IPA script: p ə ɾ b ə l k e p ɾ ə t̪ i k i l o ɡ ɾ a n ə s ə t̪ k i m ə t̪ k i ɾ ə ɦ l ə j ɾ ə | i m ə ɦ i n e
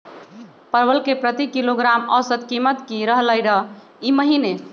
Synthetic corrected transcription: p ə ɾ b ə l k e p ɾ ə t̪ i k i l o ɡ ɾ a m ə s ə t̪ k i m ə t̪ k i ɾ ə ɦ l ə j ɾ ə | i m ə ɦ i n e

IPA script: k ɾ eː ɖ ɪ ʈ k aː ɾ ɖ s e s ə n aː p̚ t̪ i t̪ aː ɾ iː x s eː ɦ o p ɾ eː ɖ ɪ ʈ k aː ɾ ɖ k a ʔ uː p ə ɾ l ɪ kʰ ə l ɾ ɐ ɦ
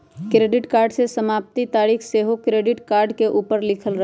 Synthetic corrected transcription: k ɾ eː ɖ ɪ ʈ k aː ɾ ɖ s e s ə m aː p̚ t̪ i t̪ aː ɾ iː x s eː ɦ o k ɾ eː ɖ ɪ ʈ k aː ɾ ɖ k e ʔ uː p ə ɾ l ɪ kʰ ə l ɾ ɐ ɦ

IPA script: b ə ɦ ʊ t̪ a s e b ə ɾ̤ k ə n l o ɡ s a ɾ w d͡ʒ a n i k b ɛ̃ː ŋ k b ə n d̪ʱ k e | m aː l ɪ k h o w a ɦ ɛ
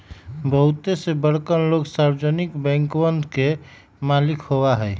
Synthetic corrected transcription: b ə ɦ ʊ t̪ e s e b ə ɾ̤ k ə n l o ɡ s a ɾ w d͡ʒ ə n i k b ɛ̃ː ŋ k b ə n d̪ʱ k e | m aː l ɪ k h o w a ɦ ɛ

